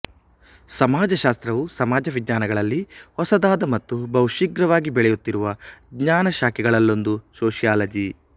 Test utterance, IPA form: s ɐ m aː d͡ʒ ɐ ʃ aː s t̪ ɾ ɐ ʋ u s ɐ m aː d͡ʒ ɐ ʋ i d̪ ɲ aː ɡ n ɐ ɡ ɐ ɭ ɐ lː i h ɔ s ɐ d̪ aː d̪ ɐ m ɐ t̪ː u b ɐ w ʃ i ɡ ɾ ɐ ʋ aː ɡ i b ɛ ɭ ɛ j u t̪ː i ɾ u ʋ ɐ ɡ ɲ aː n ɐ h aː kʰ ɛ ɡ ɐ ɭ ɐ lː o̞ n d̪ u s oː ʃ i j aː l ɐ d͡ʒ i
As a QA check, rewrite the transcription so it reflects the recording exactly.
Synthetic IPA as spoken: s ɐ m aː d͡ʒ ɐ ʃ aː s t̪ ɾ ɐ ʋ u s ɐ m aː d͡ʒ ɐ ʋ i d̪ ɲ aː n ɐ ɡ ɐ ɭ ɐ lː i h ɔ s ɐ d̪ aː d̪ ɐ m ɐ t̪ː u b ɐ w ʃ i ɡ ɾ ɐ ʋ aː ɡ i b ɛ ɭ ɛ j u t̪ː i ɾ u ʋ ɐ ɡ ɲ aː n ɐ ʃ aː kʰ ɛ ɡ ɐ ɭ ɐ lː o̞ n d̪ u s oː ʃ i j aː l ɐ d͡ʒ i